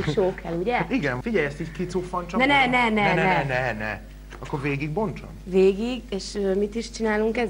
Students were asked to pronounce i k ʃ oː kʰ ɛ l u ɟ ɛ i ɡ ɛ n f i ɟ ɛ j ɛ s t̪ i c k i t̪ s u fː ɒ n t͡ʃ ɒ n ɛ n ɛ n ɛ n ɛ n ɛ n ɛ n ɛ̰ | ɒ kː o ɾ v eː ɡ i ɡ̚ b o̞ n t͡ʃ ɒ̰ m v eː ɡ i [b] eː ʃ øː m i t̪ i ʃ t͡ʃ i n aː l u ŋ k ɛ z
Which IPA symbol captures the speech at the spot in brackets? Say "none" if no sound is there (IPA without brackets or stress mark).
ɡ